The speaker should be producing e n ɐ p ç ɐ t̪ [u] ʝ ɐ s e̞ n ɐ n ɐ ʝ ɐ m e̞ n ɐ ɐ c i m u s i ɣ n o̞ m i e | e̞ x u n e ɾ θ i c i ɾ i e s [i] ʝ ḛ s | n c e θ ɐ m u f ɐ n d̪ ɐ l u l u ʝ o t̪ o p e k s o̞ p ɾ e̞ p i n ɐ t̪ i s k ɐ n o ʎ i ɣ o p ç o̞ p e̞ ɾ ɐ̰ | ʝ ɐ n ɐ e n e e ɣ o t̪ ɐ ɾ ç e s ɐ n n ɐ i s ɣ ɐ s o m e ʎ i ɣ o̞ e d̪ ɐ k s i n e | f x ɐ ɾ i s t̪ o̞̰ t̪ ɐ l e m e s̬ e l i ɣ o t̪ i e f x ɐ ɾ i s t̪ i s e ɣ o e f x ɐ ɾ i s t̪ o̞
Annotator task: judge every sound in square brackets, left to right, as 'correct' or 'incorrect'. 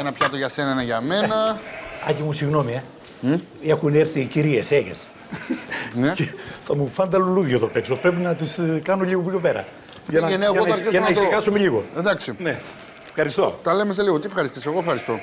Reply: incorrect: o, incorrect: e

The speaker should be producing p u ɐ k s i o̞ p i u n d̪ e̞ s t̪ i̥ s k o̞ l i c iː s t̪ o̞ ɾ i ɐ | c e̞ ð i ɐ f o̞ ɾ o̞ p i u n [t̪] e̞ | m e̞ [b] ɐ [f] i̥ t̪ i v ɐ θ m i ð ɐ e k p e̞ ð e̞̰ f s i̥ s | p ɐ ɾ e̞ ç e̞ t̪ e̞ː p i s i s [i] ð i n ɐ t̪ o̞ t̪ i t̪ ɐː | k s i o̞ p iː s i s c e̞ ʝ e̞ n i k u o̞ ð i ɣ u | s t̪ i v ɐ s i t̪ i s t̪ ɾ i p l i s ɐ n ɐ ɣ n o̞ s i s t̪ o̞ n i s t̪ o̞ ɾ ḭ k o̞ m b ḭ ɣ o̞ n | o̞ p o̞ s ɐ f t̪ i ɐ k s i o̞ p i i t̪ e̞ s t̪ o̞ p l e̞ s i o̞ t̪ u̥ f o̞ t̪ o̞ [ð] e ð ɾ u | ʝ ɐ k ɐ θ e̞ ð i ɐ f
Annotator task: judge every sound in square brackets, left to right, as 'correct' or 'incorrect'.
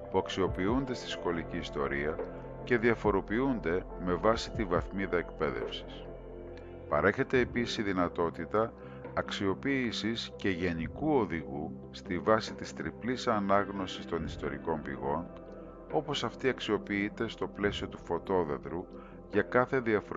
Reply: incorrect: d̪, incorrect: v, incorrect: s, correct, correct

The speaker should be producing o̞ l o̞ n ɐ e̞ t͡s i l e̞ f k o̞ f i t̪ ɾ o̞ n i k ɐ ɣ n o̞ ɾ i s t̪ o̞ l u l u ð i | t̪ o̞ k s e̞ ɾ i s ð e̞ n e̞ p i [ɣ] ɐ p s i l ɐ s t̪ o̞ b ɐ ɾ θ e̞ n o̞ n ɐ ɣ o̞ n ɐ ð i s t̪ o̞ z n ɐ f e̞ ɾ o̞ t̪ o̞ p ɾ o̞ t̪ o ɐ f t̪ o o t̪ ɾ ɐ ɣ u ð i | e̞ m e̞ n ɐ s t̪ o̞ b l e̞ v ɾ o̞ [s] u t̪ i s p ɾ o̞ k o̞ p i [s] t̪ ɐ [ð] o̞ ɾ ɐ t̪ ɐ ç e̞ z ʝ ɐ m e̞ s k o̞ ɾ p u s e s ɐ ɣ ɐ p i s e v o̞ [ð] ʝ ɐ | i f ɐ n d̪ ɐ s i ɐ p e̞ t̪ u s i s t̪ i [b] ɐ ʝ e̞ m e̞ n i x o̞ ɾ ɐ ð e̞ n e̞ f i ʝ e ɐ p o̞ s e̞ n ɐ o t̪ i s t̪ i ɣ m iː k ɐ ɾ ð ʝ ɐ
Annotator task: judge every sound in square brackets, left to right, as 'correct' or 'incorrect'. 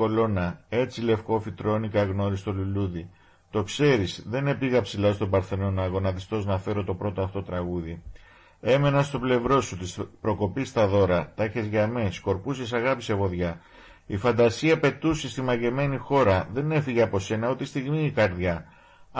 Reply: correct, correct, correct, correct, correct, incorrect: m

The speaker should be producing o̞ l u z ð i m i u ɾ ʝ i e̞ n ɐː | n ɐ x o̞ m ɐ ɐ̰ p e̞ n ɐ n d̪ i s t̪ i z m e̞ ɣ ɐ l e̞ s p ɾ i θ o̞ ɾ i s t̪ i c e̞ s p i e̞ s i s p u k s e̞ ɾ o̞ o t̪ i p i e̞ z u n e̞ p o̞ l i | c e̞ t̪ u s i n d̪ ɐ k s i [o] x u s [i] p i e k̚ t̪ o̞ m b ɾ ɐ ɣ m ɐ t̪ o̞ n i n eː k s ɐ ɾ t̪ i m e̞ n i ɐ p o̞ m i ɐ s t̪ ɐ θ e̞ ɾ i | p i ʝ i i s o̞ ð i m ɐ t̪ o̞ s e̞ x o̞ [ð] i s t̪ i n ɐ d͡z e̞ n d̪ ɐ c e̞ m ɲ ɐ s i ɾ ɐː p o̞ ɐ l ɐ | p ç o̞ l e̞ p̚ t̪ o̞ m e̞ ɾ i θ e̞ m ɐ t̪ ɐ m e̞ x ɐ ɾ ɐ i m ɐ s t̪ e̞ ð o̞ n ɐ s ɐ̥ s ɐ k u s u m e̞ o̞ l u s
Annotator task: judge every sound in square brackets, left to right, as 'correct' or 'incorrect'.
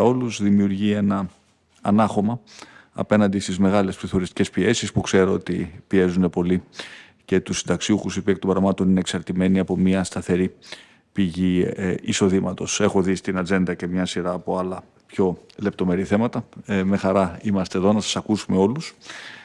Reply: incorrect: u, correct, correct

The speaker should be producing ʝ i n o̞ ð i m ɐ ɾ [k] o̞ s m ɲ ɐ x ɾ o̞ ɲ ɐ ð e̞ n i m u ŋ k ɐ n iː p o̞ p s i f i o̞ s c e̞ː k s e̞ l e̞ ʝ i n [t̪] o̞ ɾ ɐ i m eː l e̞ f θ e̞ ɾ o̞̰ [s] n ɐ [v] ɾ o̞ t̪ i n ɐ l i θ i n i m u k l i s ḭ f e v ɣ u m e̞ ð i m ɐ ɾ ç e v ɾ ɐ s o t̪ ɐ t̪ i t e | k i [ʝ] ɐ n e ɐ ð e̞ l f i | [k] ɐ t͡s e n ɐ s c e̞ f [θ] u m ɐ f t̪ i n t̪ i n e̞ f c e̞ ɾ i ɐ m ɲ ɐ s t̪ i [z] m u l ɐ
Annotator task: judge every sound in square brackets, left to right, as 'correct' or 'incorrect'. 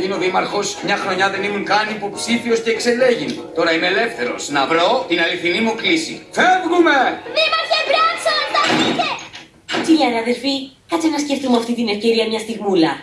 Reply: incorrect: x, correct, correct, correct, incorrect: ʎ, correct, correct, incorrect: ɣ

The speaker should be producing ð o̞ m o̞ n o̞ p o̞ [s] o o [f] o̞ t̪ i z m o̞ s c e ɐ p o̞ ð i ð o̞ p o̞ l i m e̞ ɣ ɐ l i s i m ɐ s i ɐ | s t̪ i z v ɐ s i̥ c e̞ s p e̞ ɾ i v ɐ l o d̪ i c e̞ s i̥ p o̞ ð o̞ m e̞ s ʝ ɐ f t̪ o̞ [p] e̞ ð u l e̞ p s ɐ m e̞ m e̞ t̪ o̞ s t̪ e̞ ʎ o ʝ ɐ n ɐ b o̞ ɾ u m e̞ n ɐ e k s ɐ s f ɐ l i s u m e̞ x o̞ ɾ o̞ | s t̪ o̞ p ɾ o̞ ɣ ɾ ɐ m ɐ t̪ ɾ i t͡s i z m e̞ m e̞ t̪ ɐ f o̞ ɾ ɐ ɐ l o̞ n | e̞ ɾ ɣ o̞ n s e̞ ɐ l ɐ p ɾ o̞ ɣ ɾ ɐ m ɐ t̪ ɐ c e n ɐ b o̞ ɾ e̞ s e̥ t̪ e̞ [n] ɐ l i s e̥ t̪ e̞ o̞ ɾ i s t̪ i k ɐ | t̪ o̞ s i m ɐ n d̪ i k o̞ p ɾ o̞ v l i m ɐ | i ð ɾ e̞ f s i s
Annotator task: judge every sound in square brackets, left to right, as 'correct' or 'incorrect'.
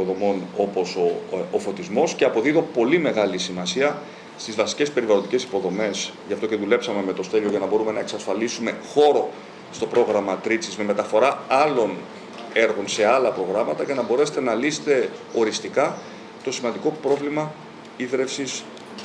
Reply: correct, correct, incorrect: c, correct

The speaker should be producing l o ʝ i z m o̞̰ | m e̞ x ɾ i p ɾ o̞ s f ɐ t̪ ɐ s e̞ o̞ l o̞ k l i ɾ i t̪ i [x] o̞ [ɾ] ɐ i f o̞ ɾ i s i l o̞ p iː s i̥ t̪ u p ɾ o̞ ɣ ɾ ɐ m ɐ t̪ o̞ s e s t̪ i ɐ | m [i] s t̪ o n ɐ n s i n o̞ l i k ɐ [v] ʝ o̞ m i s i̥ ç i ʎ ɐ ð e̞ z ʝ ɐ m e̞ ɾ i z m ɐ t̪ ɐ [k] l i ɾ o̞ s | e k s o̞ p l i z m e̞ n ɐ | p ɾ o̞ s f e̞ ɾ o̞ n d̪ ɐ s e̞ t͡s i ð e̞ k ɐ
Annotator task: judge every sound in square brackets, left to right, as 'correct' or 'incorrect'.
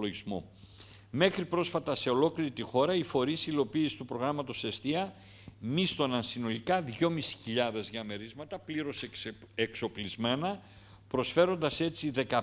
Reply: correct, correct, correct, incorrect: ð, incorrect: p

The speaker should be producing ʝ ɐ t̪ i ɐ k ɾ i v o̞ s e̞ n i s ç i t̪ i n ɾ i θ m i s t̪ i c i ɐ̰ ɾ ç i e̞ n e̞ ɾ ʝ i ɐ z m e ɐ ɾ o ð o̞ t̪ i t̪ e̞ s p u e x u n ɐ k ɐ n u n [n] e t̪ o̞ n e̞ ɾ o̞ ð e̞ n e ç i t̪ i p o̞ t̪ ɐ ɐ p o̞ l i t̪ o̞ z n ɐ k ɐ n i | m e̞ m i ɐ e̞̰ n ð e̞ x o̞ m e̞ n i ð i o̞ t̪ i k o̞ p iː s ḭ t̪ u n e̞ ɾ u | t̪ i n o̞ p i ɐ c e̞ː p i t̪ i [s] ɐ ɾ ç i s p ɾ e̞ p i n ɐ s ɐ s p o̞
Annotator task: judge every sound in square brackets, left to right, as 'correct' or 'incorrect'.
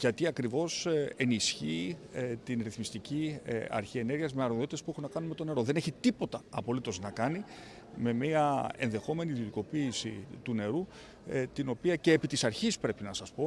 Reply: incorrect: m, correct

